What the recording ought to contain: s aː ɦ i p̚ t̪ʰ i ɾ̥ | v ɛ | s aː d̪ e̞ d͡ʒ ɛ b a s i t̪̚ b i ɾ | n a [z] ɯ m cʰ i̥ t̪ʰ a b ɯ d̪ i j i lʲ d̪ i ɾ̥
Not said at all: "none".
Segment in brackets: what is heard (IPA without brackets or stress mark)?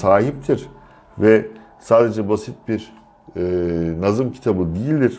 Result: z